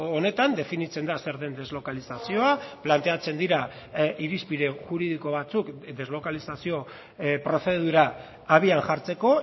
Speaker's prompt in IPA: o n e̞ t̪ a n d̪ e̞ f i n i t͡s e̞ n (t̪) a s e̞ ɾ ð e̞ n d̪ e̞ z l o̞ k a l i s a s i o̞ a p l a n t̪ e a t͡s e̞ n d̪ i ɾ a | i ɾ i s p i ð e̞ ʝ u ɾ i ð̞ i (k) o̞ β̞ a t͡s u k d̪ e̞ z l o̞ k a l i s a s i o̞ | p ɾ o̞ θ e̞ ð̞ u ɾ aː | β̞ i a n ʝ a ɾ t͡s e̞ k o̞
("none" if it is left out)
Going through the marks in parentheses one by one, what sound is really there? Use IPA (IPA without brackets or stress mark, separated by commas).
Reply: d̪, k